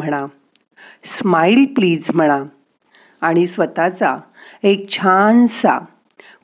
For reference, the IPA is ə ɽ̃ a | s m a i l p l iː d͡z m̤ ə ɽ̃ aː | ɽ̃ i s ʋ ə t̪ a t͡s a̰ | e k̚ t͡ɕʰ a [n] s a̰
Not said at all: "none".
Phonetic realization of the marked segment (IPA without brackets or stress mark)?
n